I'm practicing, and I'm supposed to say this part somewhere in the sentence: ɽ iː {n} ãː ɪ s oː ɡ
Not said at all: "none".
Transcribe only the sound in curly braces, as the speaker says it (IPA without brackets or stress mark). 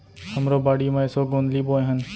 m